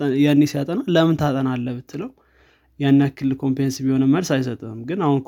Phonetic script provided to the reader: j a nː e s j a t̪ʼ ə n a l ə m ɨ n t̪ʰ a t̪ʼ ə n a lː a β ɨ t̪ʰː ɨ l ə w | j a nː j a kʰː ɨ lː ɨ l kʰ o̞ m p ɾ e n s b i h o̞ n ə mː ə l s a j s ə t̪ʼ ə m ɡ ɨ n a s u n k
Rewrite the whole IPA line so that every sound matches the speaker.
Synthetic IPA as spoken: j a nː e s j a t̪ʼ ə n a l ə m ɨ n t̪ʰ a t̪ʼ ə n a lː ə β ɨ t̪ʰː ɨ l ə w | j a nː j a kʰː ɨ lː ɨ l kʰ o̞ m p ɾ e n s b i h o̞ n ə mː ə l s a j s ə t̪ʼ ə m ɡ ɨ n a h u n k